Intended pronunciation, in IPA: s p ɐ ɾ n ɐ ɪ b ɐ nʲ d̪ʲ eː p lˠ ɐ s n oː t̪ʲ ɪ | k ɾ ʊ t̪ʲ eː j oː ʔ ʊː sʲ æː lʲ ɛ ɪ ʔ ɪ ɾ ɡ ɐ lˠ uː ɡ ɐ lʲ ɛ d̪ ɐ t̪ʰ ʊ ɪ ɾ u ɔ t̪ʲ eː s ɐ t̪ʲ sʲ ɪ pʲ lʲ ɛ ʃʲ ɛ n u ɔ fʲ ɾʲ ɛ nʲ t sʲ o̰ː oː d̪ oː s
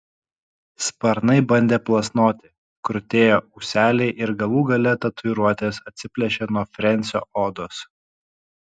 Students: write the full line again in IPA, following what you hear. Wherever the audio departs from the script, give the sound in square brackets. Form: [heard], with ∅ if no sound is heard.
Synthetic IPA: s p ɐ ɾ n ɐ ɪ b ɐ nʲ d̪ʲ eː p lˠ ɐ s n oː t̪ʲ ɪ | k ɾ ʊ t̪ʲ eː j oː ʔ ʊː sʲ æː lʲ ɛ ɪ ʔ ɪ ɾ ɡ ɐ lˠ uː ɡ ɐ lʲ ɛ [t̪] ɐ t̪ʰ ʊ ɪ ɾ u ɔ t̪ʲ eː s ɐ t̪ʲ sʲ ɪ pʲ lʲ ɛ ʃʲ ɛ n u ɔ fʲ ɾʲ ɛ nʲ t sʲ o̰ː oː d̪ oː s

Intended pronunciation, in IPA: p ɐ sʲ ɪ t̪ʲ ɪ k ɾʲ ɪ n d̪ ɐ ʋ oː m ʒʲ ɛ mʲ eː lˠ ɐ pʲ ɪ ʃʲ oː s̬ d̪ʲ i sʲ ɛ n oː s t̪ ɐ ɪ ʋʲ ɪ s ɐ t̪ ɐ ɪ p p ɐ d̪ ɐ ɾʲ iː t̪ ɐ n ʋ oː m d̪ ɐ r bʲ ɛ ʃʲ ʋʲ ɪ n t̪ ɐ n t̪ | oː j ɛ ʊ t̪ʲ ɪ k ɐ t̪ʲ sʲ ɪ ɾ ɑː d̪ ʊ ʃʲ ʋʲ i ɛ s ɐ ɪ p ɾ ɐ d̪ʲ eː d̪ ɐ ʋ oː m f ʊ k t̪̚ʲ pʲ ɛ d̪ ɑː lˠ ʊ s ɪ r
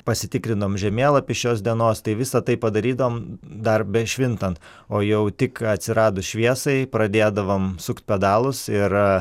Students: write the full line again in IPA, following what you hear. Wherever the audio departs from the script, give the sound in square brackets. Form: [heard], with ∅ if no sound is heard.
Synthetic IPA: p ɐ sʲ ɪ t̪ʲ ɪ k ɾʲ ɪ n d̪ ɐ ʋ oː m ʒʲ ɛ mʲ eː lˠ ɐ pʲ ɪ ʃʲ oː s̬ d̪ʲ i [∅] ɛ n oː s t̪ ɐ ɪ ʋʲ ɪ s ɐ t̪ ɐ ɪ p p ɐ d̪ ɐ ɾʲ iː [d̪] ɐ [∅] ʋ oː m d̪ ɐ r bʲ ɛ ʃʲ ʋʲ ɪ n t̪ ɐ n t̪ | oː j ɛ ʊ t̪ʲ ɪ k ɐ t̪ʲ sʲ ɪ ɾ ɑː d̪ ʊ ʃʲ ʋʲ i ɛ s ɐ ɪ p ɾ ɐ d̪ʲ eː d̪ ɐ ʋ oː m [s] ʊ k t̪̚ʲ pʲ ɛ d̪ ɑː lˠ ʊ s ɪ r

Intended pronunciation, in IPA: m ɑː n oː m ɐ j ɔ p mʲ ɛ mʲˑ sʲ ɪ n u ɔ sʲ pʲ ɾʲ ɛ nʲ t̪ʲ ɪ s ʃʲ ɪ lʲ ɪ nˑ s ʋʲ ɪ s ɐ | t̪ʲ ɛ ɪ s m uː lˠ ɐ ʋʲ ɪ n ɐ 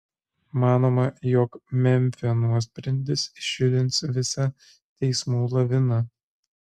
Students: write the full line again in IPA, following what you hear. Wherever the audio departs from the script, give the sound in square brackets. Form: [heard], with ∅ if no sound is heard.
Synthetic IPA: m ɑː n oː m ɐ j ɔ [k] mʲ ɛ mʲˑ [fʲ] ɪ n u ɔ sʲ pʲ ɾʲ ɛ nʲ [d̪ʲ] ɪ s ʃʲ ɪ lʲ ɪ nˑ s ʋʲ ɪ s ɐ | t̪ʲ ɛ ɪ s m uː lˠ ɐ ʋʲ ɪ n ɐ

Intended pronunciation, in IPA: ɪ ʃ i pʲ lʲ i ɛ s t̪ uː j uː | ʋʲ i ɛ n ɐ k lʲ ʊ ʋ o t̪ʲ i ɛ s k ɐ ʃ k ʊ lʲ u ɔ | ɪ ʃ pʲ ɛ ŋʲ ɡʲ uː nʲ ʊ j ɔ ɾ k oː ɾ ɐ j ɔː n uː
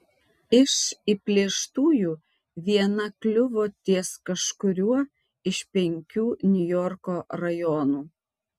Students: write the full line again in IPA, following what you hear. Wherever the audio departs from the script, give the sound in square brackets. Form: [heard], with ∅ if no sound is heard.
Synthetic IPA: ɪ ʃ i pʲ lʲ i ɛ [ʃ] t̪ uː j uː | ʋʲ i ɛ n ɐ k lʲ ʊ ʋ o t̪ʲ i ɛ s k ɐ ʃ k ʊ [ɾʲ] u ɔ | ɪ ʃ pʲ ɛ ŋʲ [kʲ] uː nʲ ʊ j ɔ ɾ k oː ɾ ɐ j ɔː n uː

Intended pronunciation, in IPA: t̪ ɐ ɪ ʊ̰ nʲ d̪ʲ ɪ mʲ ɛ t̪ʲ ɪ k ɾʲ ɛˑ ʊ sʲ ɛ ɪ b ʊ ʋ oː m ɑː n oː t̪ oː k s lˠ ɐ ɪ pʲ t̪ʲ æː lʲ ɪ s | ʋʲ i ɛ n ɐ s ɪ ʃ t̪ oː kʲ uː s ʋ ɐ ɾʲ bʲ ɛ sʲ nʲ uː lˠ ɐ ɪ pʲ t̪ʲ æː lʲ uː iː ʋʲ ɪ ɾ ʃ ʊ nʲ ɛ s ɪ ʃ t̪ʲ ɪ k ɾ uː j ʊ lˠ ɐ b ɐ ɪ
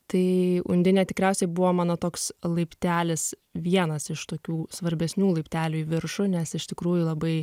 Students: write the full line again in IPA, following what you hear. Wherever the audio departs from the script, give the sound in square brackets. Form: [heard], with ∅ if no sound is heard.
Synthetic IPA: t̪ ɐ ɪ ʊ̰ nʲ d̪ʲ ɪ [nʲ] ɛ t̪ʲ ɪ k ɾʲ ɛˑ ʊ sʲ ɛ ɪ b ʊ ʋ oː m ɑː n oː t̪ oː k s lˠ ɐ ɪ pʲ t̪ʲ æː lʲ ɪ s | ʋʲ i ɛ n ɐ s ɪ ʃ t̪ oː kʲ uː s ʋ ɐ ɾʲ bʲ ɛ sʲ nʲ uː lˠ ɐ ɪ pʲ t̪ʲ æː lʲ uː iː ʋʲ ɪ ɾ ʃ ʊ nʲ ɛ s ɪ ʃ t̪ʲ ɪ k ɾ uː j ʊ lˠ ɐ b ɐ ɪ

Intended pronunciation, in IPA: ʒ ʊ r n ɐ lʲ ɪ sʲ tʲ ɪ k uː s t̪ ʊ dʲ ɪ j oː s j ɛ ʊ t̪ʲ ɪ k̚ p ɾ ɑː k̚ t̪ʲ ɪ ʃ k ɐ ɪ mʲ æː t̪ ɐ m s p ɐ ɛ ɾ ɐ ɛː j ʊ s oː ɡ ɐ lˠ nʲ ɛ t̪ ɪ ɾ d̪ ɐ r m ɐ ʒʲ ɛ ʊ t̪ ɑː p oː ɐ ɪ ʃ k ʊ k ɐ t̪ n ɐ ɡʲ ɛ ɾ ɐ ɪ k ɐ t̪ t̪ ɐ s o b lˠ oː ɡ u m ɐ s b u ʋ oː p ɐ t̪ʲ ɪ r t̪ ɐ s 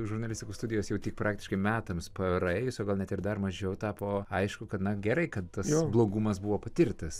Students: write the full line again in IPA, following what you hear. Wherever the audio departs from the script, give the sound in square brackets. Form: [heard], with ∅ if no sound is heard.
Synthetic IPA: ʒ ʊ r n ɐ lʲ ɪ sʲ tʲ ɪ k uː s t̪ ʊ dʲ ɪ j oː s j ɛ ʊ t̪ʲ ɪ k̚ p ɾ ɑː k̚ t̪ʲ ɪ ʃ k ɐ ɪ mʲ æː t̪ ɐ m s p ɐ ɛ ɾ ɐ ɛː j ʊ s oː ɡ ɐ lˠ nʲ ɛ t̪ ɪ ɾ d̪ ɐ r m ɐ ʒʲ ɛ ʊ t̪ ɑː p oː ɐ ɪ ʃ k ʊ k ɐ t̪ n ɐ ɡʲ ɛ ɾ ɐ ɪ k ɐ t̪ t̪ ɐ s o b lˠ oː ɡ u m ɐ s b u ʋ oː p ɐ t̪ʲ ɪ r t̪ ɐ s

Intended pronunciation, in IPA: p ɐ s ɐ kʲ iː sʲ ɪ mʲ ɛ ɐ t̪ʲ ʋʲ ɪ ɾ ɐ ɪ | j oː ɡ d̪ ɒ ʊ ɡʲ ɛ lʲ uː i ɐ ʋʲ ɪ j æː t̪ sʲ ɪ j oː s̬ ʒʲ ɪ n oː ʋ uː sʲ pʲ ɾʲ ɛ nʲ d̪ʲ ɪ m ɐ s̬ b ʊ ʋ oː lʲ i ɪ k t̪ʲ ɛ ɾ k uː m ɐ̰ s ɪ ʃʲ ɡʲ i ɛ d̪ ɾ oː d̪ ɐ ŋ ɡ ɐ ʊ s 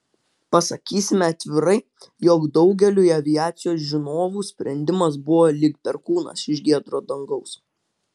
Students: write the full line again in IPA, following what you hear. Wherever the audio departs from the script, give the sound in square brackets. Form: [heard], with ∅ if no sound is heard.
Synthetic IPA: p ɐ s ɐ kʲ iː sʲ ɪ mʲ ɛ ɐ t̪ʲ ʋʲ ɪ ɾ ɐ ɪ | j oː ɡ d̪ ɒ ʊ ɡʲ ɛ lʲ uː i ɐ ʋʲ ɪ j æː t̪ sʲ ɪ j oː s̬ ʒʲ ɪ n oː ʋ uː sʲ pʲ ɾʲ ɛ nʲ d̪ʲ ɪ m ɐ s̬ b ʊ ʋ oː lʲ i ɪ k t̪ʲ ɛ ɾ k uː [n] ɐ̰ s ɪ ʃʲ ɡʲ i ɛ d̪ ɾ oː d̪ ɐ ŋ ɡ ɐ ʊ s

